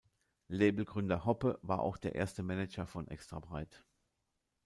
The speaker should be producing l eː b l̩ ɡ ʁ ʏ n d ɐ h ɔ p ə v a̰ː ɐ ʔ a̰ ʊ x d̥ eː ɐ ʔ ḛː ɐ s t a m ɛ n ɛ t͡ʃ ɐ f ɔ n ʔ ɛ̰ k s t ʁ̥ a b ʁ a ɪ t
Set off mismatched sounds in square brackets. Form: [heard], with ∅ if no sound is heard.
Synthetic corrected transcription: l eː b l̩ ɡ ʁ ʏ n d ɐ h ɔ p ə v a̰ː ɐ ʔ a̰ ʊ x d̥ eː ɐ ʔ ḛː ɐ s t [ə] m ɛ n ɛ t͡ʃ ɐ f ɔ n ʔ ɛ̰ k s t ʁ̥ a b ʁ a ɪ t